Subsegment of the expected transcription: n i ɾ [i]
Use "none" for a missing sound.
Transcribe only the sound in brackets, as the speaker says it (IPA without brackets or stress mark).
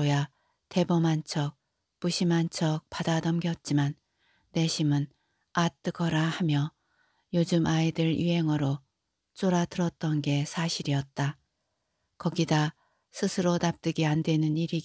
i